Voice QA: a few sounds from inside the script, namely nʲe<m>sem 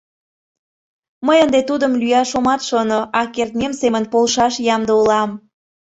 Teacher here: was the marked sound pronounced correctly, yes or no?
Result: yes